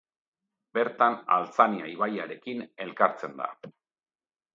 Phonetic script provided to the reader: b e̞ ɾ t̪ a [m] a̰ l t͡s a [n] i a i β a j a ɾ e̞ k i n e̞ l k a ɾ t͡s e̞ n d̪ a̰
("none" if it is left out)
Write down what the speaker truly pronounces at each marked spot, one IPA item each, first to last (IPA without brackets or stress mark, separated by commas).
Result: n, n